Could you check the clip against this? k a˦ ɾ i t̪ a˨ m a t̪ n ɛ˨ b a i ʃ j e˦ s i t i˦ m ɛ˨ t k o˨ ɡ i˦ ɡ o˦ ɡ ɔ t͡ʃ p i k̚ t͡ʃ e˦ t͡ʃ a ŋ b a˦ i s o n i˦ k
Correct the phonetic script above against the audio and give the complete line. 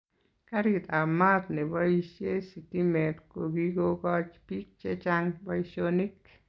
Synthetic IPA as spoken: k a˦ ɾ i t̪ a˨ m a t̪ n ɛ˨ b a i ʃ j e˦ s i t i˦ m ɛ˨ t k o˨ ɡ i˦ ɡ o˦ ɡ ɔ t͡ʃ p i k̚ t͡ʃ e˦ t͡ʃ a ŋ b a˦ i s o n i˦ k